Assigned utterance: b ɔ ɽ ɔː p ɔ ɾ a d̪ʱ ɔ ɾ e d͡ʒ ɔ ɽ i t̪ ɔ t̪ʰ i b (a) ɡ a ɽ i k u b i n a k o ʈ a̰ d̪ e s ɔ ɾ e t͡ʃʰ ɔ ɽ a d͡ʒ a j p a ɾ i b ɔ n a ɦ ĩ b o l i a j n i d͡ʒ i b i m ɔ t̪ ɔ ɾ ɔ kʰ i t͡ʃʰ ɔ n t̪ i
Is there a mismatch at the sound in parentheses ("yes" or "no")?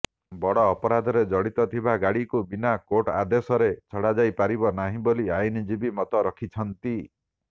no